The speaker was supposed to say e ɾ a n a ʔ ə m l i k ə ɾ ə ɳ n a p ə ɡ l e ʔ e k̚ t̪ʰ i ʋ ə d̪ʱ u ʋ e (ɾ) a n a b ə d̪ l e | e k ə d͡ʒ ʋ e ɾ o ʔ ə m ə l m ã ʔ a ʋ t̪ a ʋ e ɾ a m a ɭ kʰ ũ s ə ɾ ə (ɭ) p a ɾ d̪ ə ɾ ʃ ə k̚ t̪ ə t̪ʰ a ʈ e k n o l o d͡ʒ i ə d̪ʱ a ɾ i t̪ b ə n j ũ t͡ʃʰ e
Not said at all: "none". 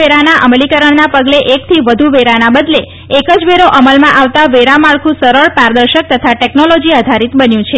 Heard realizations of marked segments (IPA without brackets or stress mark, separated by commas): ɾ, ɭ